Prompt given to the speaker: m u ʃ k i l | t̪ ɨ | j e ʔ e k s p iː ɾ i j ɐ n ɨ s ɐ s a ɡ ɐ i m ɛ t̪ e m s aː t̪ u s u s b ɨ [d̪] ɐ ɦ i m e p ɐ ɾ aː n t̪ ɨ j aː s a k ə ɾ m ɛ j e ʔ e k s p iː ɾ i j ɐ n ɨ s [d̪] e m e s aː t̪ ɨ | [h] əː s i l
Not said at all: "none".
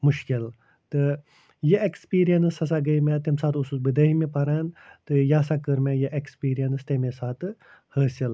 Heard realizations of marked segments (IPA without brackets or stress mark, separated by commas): d̪, t̪, h